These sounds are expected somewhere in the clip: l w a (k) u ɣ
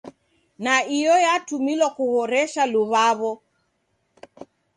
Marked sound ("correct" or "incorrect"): correct